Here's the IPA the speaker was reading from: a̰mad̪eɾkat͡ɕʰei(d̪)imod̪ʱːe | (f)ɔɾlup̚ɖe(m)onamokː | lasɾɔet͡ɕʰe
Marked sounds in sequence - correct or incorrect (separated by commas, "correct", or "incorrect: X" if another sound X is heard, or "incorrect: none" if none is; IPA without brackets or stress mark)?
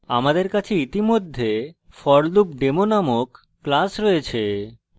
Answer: incorrect: t̪, correct, correct